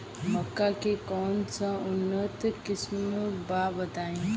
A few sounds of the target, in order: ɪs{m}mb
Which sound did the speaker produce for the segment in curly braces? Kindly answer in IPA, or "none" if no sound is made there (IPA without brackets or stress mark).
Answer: m